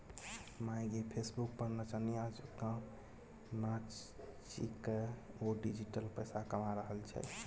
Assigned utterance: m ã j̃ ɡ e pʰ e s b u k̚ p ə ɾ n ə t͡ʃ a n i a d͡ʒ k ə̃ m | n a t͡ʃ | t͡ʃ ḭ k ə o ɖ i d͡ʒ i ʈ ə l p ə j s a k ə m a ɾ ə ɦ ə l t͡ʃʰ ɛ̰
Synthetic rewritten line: m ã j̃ ɡ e pʰ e s b u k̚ p ə ɾ n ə t͡ʃ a n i a d͡ʒ k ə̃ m | n a t͡ʃ | t͡ʃ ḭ k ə o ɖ i d͡ʒ i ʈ ə l p ə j s a k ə m a ɾ ə ɦ ə l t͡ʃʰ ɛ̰